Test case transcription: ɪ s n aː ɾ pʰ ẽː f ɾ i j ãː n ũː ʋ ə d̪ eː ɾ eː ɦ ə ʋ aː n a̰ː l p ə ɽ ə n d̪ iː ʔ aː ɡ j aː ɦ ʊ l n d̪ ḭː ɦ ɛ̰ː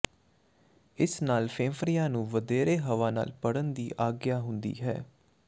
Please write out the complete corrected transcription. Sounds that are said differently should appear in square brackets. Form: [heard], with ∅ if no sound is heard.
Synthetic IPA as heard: ɪ s n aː [l] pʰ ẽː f ɾ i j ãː n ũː ʋ ə d̪ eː ɾ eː ɦ ə ʋ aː n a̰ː l p ə ɽ ə n d̪ iː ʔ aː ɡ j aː ɦ ʊ [∅] n d̪ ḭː ɦ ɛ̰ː